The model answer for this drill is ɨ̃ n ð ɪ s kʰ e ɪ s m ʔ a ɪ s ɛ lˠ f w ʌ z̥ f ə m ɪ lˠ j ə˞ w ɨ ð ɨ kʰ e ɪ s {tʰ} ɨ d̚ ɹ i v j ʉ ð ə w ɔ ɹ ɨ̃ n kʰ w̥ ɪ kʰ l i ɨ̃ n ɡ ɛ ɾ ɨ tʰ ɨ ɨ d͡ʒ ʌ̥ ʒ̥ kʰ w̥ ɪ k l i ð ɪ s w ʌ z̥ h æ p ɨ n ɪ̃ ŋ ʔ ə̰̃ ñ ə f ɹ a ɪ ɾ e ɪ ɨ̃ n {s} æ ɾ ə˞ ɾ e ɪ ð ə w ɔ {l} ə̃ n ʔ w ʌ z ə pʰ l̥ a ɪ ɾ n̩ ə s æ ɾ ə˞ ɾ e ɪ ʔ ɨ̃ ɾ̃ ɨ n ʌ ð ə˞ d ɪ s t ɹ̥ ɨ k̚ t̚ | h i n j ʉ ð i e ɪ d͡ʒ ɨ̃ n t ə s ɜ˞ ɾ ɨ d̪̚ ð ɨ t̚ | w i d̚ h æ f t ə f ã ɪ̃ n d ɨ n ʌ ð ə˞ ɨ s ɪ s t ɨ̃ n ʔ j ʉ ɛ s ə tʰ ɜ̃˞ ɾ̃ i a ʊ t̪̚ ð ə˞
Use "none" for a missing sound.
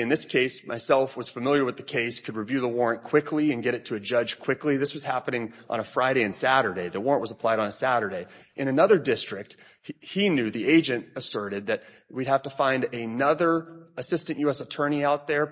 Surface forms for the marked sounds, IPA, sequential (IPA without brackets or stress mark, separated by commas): kʰ, s, ɹ